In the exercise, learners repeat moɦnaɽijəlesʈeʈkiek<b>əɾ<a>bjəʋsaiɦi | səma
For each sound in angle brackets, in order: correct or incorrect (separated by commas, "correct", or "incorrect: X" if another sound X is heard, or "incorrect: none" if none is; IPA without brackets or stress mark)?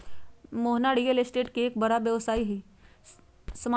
correct, correct